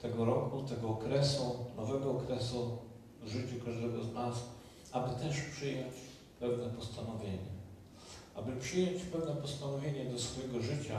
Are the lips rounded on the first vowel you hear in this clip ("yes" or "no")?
no